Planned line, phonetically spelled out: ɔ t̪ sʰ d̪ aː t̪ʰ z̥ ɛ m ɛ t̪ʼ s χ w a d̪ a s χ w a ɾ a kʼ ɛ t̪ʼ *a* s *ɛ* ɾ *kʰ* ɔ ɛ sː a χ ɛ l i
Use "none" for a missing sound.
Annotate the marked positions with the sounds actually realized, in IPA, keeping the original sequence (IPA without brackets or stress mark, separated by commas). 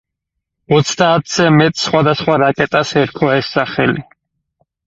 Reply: a, ɛ, kʰ